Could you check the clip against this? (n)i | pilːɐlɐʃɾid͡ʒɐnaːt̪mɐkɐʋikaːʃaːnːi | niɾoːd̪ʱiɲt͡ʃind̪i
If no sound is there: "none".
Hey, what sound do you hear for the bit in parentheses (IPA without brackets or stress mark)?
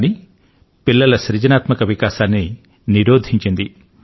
n